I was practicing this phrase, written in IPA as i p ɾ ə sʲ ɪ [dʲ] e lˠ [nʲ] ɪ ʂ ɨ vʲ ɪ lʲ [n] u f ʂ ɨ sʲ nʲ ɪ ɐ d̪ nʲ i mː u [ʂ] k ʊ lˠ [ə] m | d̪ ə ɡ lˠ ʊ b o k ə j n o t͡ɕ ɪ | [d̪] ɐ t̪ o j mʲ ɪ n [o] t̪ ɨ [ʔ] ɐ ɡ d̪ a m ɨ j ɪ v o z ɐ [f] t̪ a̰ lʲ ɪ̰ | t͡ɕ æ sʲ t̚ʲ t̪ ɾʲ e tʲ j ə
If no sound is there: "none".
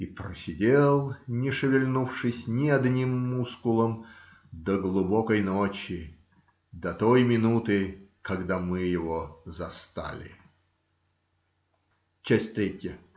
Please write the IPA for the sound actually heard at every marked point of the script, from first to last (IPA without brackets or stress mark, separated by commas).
dʲ, nʲ, n, s, ə, d̪, u, k, s